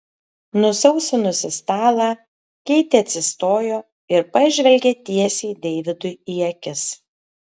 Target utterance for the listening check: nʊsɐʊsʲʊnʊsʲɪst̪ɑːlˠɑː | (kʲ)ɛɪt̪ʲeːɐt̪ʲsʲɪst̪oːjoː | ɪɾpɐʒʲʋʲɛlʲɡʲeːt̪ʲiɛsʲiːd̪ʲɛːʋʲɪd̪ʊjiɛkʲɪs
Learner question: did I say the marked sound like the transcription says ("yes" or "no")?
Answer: yes